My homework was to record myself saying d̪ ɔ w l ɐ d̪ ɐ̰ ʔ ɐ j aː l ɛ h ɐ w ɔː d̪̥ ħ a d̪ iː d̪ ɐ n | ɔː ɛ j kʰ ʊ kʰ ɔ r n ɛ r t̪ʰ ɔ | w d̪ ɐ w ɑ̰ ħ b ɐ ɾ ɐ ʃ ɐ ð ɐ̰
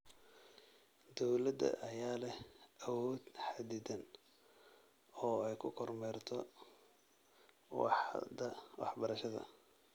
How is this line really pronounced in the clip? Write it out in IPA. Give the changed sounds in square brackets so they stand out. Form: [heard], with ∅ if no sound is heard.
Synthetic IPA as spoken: d̪ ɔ w l ɐ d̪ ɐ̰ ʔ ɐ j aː l ɛ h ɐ w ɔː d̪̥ ħ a d̪ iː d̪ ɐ n | ɔː ɛ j kʰ ʊ kʰ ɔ r [m] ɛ r t̪ʰ ɔ | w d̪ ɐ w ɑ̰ ħ b ɐ ɾ ɐ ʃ ɐ ð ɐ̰